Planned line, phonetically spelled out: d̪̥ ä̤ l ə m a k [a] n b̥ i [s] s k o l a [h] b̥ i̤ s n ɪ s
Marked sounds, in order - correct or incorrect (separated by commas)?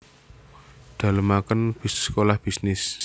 incorrect, correct, correct